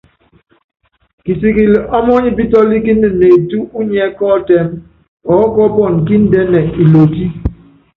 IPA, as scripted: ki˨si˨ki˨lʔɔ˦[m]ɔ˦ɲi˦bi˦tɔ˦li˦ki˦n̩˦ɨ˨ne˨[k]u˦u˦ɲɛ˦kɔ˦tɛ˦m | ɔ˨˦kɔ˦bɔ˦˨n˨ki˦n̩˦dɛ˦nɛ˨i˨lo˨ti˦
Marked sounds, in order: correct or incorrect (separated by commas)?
correct, incorrect